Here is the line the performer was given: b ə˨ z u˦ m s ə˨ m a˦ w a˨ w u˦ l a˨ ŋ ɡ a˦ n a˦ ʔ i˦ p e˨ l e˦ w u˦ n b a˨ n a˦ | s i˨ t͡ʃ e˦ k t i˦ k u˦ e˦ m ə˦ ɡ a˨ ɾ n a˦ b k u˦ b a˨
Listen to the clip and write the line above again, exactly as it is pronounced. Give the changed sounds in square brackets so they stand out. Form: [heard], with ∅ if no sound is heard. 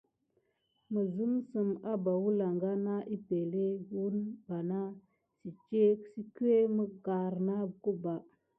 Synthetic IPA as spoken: [m] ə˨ z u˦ m s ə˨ m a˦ [b] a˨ w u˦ l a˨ ŋ ɡ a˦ n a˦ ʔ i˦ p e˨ l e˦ w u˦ n b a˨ n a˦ | s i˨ t͡ʃ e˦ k [s] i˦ k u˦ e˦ m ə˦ ɡ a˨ ɾ n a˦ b k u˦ b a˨